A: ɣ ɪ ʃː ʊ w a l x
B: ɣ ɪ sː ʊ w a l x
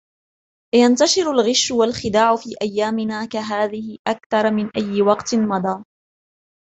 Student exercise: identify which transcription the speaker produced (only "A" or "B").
A